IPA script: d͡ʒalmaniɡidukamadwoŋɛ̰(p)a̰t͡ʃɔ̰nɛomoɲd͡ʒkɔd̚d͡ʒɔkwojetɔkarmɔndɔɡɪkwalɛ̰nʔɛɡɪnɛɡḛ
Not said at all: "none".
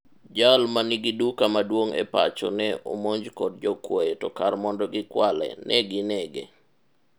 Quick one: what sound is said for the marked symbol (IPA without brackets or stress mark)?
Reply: p